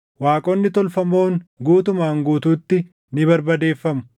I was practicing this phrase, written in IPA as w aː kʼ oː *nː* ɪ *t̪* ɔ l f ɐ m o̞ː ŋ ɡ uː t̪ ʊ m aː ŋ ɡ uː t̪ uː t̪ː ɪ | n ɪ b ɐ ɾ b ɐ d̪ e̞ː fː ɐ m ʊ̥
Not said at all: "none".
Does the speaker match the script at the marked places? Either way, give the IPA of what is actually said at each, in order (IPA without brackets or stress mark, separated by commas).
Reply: nː, t̪